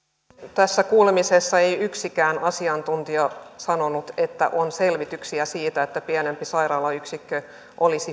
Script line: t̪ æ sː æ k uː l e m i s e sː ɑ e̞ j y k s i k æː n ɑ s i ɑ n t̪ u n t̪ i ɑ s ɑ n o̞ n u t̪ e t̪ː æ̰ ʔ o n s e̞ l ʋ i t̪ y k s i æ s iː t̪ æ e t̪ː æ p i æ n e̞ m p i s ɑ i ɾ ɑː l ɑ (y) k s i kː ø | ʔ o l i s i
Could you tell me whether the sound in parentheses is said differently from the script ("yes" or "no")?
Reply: no